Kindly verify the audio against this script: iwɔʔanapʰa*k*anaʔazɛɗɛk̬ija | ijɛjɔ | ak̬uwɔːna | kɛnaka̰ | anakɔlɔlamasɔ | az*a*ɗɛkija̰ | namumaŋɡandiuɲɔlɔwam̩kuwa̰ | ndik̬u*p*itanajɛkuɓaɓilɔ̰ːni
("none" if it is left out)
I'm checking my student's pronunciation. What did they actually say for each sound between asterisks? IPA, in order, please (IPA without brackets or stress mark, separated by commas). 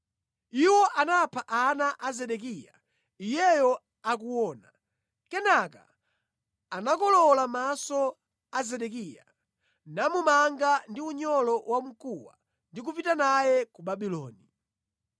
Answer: ʔ, ɛ, p